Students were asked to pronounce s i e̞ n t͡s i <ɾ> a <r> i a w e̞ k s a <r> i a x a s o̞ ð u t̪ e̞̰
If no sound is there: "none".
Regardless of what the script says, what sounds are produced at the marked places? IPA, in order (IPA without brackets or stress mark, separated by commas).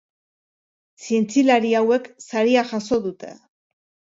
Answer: l, ɾ, ɾ